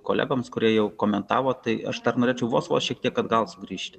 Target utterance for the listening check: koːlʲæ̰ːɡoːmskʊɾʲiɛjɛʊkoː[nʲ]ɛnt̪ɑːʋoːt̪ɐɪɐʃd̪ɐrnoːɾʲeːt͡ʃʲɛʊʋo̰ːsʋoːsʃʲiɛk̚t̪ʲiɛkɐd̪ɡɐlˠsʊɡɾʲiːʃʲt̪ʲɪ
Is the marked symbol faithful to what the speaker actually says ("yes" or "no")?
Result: no